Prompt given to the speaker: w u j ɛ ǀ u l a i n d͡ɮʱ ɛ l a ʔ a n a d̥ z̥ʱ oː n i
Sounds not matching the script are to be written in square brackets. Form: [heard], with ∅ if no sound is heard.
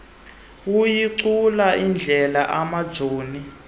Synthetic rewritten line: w u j [i] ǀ u l a i n d͡ɮʱ ɛ l a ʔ a [m] a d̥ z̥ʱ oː n i